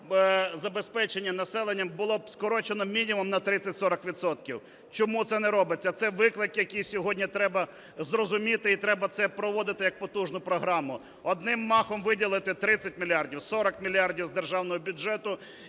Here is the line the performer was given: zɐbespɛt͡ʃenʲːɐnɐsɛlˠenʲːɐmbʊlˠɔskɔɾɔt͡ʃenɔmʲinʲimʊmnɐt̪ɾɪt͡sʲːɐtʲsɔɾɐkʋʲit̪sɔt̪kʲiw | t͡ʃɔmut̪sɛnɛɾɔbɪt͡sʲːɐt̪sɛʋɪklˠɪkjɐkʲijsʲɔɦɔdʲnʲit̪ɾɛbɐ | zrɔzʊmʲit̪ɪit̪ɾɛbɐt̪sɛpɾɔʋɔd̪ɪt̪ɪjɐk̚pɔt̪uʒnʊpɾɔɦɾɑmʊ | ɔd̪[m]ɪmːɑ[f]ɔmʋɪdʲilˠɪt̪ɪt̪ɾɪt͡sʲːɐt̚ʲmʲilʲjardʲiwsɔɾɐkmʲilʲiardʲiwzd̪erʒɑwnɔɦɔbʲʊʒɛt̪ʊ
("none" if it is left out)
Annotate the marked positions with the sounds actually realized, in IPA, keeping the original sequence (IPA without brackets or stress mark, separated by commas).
n, x